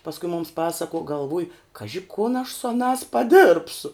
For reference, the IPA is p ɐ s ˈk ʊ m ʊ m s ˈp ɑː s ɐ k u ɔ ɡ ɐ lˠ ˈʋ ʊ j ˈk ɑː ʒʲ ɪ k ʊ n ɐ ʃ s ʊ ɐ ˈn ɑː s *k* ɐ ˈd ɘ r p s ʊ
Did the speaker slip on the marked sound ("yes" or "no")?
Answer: yes